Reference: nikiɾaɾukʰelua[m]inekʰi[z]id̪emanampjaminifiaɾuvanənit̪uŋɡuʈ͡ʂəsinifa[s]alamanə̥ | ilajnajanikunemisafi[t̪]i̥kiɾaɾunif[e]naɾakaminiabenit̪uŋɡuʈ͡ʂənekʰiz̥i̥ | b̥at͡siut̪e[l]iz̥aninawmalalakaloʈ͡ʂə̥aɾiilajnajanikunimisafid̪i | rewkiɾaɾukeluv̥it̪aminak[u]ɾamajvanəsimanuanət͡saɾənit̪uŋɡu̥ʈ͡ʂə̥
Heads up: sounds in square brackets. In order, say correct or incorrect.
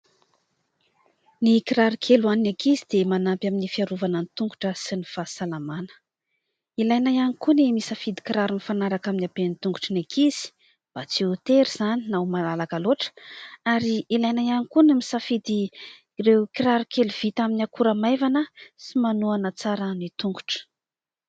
incorrect, correct, correct, incorrect, incorrect, incorrect, correct

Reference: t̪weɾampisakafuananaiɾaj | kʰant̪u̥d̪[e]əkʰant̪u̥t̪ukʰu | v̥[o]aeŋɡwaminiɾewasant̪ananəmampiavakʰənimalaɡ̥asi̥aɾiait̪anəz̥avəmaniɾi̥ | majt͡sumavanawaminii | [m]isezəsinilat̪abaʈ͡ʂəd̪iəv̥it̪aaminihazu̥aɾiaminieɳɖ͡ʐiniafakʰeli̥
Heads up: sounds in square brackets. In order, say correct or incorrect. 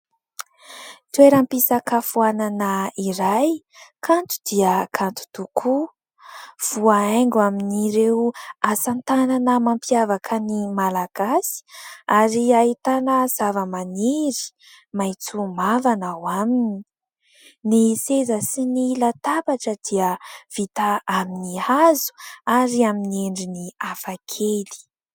incorrect, incorrect, incorrect

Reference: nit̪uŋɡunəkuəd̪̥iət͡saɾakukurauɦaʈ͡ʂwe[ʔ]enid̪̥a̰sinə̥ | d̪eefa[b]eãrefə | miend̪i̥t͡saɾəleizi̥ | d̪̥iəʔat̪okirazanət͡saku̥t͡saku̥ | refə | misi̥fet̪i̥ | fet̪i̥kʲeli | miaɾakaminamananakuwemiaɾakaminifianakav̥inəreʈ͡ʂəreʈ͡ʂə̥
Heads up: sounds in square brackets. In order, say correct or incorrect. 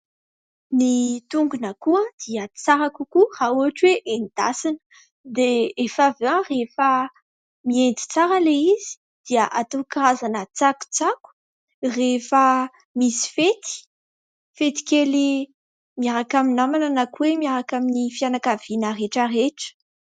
correct, incorrect

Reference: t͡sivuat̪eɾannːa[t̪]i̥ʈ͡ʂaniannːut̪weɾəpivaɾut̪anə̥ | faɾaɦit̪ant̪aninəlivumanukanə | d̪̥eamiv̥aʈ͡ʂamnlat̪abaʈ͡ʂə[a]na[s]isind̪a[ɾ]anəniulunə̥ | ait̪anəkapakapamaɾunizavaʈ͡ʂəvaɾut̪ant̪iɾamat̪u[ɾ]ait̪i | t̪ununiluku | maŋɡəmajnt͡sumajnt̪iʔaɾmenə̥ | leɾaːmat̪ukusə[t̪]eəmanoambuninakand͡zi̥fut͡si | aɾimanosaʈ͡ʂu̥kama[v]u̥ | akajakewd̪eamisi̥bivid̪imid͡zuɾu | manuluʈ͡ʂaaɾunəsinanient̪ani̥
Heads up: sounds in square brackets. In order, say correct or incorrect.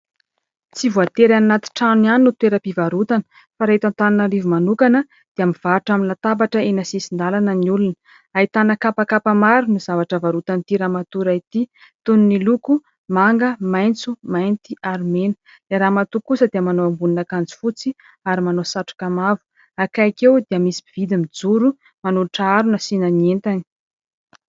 correct, incorrect, correct, incorrect, correct, incorrect, correct

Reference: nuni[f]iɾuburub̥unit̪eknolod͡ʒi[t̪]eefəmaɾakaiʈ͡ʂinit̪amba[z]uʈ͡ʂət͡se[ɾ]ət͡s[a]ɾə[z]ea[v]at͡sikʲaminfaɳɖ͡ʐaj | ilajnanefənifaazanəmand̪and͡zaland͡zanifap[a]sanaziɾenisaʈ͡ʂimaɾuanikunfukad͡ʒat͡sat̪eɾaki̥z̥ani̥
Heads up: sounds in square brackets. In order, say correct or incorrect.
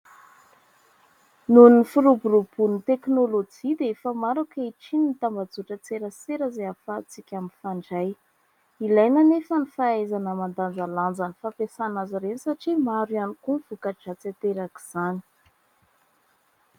correct, incorrect, incorrect, correct, incorrect, correct, incorrect, incorrect

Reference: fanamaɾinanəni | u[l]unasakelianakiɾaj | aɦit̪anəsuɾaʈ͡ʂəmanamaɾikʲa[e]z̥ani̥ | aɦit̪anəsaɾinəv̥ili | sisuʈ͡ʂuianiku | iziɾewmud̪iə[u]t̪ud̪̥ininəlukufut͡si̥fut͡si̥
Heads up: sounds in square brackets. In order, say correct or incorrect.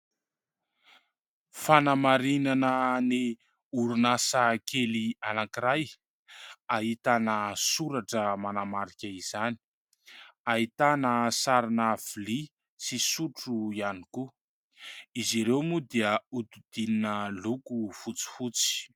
incorrect, incorrect, correct

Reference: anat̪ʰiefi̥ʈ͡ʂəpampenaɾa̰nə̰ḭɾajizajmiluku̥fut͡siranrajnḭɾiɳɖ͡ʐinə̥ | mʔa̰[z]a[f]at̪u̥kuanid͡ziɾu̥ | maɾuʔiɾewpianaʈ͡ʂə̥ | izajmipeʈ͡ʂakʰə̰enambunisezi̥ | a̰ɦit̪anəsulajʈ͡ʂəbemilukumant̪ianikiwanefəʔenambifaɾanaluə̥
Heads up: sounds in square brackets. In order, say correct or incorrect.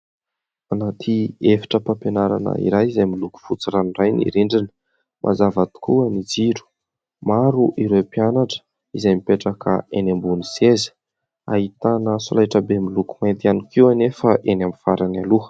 correct, incorrect

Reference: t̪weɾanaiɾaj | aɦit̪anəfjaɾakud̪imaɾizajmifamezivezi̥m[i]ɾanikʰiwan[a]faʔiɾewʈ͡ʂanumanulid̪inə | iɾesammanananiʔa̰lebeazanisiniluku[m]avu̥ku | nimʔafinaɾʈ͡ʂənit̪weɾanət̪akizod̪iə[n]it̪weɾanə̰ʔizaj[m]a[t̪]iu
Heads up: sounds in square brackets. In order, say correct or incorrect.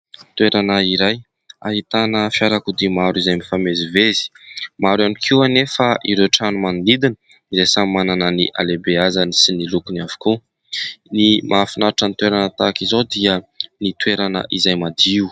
incorrect, incorrect, incorrect, correct, correct, incorrect

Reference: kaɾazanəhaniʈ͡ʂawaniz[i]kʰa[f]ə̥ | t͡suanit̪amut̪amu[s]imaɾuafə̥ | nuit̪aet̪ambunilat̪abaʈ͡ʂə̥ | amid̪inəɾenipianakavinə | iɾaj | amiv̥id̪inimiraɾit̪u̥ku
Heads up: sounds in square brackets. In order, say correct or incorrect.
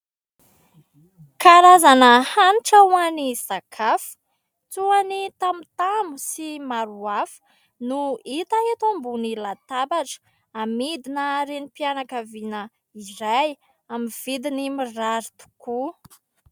incorrect, correct, correct

